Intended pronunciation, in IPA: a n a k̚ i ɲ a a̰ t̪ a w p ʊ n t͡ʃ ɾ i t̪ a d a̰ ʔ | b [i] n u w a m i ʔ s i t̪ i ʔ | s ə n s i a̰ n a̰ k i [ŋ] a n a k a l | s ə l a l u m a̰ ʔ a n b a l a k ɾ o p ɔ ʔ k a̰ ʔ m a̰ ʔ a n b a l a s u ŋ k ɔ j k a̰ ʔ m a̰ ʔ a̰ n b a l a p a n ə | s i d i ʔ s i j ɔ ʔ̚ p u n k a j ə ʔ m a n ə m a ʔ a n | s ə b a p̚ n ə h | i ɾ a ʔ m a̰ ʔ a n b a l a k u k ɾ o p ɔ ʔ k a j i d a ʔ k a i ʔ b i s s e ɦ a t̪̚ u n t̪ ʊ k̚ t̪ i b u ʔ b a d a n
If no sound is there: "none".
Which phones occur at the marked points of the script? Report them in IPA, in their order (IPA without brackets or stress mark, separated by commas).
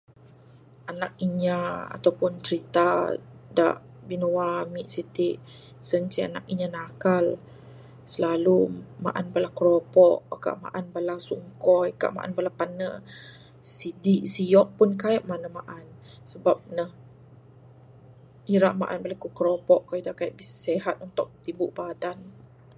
i, ɲ